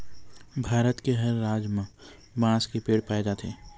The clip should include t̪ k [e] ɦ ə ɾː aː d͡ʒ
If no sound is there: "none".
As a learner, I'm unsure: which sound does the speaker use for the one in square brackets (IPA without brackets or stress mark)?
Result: e